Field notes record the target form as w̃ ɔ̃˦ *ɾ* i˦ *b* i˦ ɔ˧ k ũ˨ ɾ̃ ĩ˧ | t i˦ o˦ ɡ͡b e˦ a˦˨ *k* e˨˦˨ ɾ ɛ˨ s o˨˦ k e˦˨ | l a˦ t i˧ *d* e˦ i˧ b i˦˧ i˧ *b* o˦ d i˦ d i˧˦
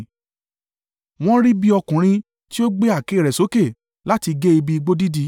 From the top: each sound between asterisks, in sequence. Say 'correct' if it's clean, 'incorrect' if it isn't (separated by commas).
correct, correct, correct, incorrect, incorrect